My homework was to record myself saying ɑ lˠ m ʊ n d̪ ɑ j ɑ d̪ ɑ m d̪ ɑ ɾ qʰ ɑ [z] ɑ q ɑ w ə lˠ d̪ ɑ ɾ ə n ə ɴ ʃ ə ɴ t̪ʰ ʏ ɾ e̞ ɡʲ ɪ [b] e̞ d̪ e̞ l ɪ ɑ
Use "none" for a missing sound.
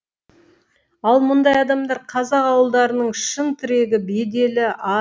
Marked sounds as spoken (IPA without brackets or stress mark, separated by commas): z, b